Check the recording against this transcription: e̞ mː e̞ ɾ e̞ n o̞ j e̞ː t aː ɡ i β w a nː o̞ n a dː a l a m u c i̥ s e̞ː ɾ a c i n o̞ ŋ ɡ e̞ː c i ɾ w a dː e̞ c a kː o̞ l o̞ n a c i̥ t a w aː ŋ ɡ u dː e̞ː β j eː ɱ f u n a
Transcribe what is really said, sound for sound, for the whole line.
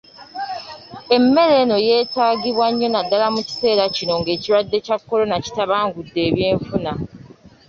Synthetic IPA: e̞ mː e̞ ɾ e̞ n o̞ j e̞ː t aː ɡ i β w a ɲː o̞ n a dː a l a m u c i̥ s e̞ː ɾ a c i n o̞ ŋ ɡ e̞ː c i ɾ w a dː e̞ c a kː o̞ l o̞ n a c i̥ t a β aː ŋ ɡ u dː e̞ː β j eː ɱ f u n a